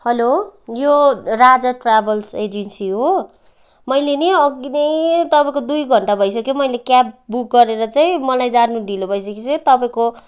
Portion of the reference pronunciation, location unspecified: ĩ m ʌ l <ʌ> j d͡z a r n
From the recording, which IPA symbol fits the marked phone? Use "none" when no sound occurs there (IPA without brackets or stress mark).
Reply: a